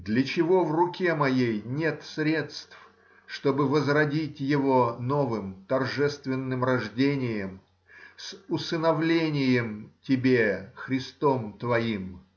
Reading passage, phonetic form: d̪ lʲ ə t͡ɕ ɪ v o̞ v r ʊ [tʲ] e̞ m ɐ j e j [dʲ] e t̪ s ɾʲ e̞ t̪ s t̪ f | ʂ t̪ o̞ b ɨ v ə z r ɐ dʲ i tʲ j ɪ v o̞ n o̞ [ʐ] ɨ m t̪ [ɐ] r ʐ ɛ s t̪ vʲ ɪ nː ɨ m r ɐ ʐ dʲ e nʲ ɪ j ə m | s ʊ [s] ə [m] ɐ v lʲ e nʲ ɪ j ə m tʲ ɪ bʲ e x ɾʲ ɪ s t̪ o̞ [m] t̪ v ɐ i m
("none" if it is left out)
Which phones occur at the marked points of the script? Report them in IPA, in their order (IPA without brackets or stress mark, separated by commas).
kʲ, nʲ, v, ɐ, s, n, m